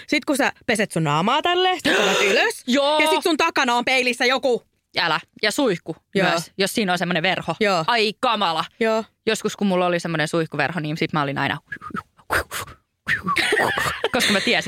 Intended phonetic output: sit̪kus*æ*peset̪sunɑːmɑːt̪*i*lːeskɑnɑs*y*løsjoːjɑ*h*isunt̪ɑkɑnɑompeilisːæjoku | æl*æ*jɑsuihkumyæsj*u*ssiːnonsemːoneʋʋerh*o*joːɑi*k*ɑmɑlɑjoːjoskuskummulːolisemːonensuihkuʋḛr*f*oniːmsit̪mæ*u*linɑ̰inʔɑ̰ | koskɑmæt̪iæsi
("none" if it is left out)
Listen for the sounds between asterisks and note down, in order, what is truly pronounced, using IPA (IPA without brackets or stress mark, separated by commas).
æ, æ, y, s, æ, o, o, k, h, o